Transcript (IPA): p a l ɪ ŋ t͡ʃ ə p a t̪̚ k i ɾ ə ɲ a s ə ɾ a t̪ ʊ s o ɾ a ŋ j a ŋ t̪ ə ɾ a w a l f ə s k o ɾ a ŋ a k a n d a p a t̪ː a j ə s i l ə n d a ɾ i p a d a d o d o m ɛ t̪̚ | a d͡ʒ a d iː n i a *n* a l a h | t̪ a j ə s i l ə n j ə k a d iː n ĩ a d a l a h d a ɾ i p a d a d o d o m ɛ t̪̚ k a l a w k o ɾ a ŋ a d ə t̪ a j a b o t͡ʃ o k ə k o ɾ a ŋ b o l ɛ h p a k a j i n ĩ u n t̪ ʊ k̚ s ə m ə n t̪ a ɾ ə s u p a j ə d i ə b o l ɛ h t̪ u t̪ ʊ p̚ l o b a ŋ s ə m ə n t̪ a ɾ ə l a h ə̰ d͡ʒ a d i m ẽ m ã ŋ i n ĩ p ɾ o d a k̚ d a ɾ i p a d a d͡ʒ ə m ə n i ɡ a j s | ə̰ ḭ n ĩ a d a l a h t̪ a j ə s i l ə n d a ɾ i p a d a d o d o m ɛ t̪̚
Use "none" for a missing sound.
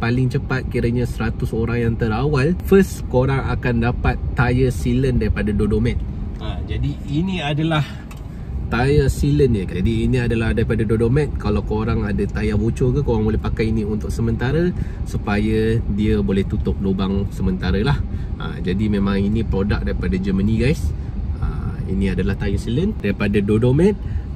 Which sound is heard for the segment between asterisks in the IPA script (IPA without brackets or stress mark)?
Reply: d